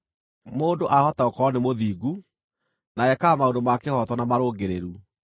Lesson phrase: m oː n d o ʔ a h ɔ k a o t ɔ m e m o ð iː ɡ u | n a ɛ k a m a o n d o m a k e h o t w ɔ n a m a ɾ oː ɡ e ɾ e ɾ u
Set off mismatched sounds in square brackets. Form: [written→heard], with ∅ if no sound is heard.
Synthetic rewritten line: m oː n d o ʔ a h ɔ [k→t] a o [t→k] ɔ [m→n] e m o ð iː ɡ u | n a ɛ k a m a o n d o m a k e h [o→ɔ] t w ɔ n a m a ɾ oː ɡ e ɾ e ɾ u

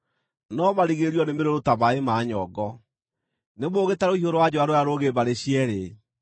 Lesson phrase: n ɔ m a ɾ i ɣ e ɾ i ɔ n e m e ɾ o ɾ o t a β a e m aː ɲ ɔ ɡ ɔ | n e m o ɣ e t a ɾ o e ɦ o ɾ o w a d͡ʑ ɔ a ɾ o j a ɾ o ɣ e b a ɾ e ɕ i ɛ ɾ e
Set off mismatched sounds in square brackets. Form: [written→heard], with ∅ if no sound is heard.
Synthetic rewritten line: n ɔ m a ɾ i ɣ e ɾ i ɔ n e m e ɾ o ɾ o t a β a e m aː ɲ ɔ ɡ ɔ | n e m o ɣ e t a ɾ o [e→i] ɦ o ɾ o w a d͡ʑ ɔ a ɾ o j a ɾ o ɣ e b a ɾ e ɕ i ɛ ɾ e

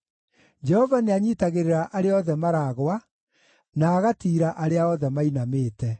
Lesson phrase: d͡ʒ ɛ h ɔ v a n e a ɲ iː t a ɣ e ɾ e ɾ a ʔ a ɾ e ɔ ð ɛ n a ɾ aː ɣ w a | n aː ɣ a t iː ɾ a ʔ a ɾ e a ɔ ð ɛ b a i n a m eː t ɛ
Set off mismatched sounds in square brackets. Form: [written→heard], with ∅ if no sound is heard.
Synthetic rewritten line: d͡ʒ ɛ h ɔ v a n e a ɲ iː t a ɣ e ɾ e ɾ a ʔ a ɾ e ɔ ð ɛ [n→m] a ɾ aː ɣ w a | n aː ɣ a t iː ɾ a ʔ a ɾ e a ɔ ð ɛ [b→m] a i n a m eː t ɛ

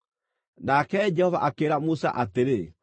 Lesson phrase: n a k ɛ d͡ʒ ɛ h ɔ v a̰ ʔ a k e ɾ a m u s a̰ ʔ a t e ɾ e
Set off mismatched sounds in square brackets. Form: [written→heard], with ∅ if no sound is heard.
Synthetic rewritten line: n a k ɛ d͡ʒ ɛ h ɔ v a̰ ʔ a k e ɾ a m u s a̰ ʔ a t e ɾ e

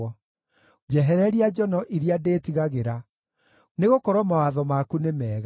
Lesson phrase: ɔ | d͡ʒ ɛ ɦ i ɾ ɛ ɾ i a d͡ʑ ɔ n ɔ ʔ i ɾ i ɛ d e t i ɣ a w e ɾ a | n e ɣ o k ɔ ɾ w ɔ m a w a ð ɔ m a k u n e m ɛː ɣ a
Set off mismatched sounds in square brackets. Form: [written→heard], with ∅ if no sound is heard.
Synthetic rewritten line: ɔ | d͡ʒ ɛ ɦ [i→ɛ] ɾ ɛ ɾ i a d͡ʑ ɔ n ɔ ʔ i ɾ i [ɛ→a] d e t i ɣ a [w→ɣ] e ɾ a | n e ɣ o k ɔ ɾ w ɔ m a w a ð ɔ m a k u n e m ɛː ɣ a

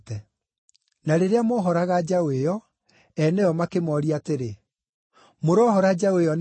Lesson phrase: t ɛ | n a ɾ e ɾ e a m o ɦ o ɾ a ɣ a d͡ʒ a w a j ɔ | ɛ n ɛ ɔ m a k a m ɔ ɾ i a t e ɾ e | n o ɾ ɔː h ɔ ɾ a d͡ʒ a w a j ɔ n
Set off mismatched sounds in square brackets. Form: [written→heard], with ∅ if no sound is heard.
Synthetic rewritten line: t ɛ | n a ɾ e ɾ e a m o ɦ [o→ɔ] ɾ a ɣ a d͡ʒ a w [a→e] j ɔ | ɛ n ɛ ɔ m a k [a→e] m ɔ ɾ i a t e ɾ e | [n→m] o ɾ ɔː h ɔ ɾ a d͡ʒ a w [a→e] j ɔ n

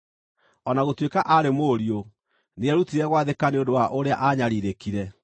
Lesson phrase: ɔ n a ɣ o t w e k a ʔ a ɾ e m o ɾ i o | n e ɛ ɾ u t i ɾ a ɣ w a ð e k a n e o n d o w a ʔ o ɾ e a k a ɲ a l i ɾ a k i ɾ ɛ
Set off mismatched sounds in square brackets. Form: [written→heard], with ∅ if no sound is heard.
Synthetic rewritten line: ɔ n a ɣ o t w e k a ʔ a ɾ e m o ɾ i o | n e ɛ ɾ u t i ɾ [a→ɛ] ɣ w a ð e k a n e o n d o w a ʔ o ɾ e a [k→ʔ] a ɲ a [l→ɾ] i ɾ [a→e] k i ɾ ɛ

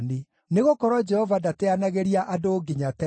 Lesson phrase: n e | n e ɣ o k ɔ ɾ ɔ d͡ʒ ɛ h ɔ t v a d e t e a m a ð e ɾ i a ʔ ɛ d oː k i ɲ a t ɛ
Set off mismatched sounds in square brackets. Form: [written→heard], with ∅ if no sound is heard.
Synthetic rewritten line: n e | n e ɣ o k ɔ ɾ ɔ d͡ʒ ɛ h ɔ [t→∅] v a d [e→a] t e a [m→n] a [ð→ɣ] e ɾ i a ʔ [ɛ→a] d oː [k→ɡ] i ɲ a t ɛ

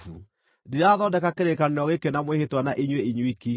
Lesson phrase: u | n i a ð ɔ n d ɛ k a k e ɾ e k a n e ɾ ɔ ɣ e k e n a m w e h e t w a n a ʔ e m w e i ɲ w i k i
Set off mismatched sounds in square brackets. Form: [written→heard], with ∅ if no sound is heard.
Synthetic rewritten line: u | [n→d] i a ð ɔ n d ɛ k a k e ɾ e k a n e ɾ ɔ ɣ e k e n a m w e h e t w a n a ʔ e [m→ɲ] w e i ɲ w i k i

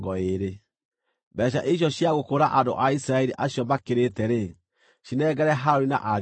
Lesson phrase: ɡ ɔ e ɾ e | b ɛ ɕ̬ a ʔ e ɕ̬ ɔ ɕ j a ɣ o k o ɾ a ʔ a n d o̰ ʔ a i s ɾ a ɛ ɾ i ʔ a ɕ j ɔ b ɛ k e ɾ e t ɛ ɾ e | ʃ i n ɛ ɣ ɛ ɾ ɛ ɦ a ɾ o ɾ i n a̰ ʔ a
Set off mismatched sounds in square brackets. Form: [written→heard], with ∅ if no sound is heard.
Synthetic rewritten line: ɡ ɔ e ɾ e | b ɛ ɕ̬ a ʔ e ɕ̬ ɔ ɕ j a ɣ o k o ɾ a ʔ a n d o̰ ʔ a i s ɾ a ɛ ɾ i ʔ a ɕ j ɔ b [ɛ→a] k e ɾ e t ɛ ɾ e | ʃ i n ɛ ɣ ɛ ɾ ɛ ɦ a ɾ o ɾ i n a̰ ʔ a

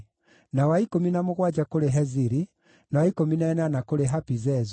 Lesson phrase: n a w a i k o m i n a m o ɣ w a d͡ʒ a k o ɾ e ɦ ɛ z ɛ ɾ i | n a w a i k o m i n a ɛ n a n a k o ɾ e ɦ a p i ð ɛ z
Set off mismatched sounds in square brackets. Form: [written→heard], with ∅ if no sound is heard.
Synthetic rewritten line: n a w a i k o m i n a m o ɣ w a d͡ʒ a k o ɾ e ɦ ɛ z [ɛ→i] ɾ i | n a w a i k o m i n a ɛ n a n a k o ɾ e ɦ a p i [ð→z] ɛ z

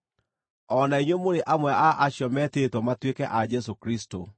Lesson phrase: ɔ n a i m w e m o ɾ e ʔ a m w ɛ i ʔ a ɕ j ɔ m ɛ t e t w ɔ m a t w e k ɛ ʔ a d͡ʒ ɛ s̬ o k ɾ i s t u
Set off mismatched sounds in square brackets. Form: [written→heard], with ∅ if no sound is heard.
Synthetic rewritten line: ɔ n a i [m→ɲ] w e m o ɾ e ʔ a m w ɛ [i→a] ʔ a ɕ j ɔ m ɛ t e t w ɔ m a t w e k ɛ ʔ a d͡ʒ ɛ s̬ o k ɾ i s t [u→o]

